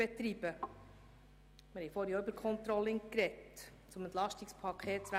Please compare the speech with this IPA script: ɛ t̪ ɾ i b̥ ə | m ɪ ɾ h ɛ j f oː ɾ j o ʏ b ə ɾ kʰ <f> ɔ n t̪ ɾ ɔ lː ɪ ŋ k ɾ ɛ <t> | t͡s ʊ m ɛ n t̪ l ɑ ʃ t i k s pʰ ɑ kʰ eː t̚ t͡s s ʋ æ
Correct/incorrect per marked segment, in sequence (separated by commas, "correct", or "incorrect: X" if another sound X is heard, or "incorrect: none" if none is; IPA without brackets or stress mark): incorrect: χ, correct